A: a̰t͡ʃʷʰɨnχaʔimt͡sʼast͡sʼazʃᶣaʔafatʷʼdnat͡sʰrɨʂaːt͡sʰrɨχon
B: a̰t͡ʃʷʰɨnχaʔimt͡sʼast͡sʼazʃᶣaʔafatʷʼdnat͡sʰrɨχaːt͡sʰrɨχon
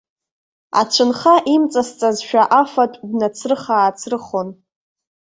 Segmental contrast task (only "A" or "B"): B